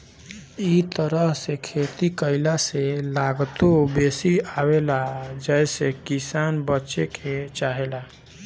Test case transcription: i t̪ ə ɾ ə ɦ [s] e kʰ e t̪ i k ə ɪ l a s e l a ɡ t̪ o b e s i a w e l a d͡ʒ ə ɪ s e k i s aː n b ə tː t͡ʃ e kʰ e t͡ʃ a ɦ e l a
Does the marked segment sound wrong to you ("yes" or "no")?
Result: no